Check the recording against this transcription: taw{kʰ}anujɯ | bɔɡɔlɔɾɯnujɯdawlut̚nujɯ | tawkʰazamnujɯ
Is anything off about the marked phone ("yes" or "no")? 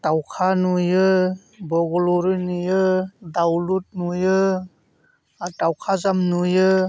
no